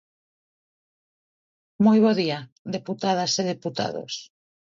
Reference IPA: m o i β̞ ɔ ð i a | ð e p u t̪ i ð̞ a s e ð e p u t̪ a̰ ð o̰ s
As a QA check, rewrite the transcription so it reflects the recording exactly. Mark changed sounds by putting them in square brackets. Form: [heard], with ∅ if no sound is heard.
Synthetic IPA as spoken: m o [j] β̞ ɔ ð i a | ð e p u t̪ [a] ð̞ a s e ð e p u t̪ a̰ ð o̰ s

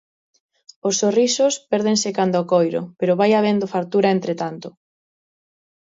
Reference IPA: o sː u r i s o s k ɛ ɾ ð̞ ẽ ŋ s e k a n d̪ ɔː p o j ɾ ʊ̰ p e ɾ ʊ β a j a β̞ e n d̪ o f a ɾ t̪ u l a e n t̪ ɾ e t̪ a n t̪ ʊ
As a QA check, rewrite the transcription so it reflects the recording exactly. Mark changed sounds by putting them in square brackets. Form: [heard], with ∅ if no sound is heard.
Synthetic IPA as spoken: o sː [o] r i s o s [p] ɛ ɾ ð̞ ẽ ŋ s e k a n d̪ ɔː [k] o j ɾ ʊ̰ p e ɾ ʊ β a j a β̞ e n d̪ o f a ɾ t̪ u [ɾ] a e n t̪ ɾ e t̪ a n t̪ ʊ

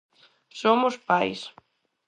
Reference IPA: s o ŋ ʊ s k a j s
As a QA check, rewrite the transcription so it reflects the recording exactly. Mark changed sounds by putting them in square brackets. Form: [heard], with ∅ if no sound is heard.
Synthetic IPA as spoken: s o [m] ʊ s [p] a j s

